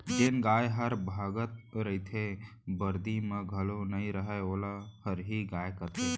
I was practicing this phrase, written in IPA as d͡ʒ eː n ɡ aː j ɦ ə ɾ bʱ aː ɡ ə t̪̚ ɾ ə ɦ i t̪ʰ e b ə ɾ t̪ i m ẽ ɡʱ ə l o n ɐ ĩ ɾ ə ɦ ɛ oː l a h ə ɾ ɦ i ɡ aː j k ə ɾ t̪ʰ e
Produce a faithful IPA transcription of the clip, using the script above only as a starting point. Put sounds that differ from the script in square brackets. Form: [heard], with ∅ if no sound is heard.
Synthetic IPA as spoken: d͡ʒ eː n ɡ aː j ɦ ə ɾ bʱ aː ɡ ə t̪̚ ɾ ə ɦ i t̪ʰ e b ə ɾ [d̪] i m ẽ ɡʱ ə l o n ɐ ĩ ɾ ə ɦ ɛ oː l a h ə ɾ ɦ i ɡ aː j k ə ɾ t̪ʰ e